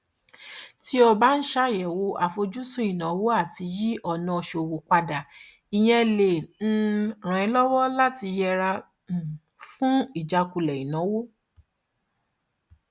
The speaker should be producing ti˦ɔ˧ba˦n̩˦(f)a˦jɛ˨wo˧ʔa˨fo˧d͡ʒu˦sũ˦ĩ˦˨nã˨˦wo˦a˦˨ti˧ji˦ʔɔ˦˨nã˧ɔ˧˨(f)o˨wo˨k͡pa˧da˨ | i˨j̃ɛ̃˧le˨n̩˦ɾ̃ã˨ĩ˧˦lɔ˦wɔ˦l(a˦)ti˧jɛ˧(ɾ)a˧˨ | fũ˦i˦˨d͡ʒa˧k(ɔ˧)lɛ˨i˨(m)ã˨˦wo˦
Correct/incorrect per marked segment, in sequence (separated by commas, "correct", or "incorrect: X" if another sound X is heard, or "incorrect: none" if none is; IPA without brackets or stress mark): incorrect: ʃ, incorrect: ʃ, correct, correct, incorrect: u˧, incorrect: n